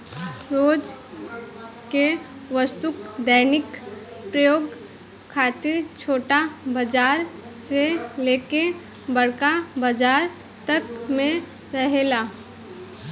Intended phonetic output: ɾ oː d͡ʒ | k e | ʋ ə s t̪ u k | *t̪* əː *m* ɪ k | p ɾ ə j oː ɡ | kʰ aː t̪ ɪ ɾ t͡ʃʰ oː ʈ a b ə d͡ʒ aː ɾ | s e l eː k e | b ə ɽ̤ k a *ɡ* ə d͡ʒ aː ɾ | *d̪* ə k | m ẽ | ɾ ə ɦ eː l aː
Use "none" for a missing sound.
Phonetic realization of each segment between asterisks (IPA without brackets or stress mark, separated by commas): d̪, n, b, t̪